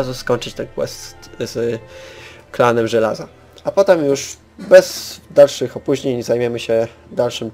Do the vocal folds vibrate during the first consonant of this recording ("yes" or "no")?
yes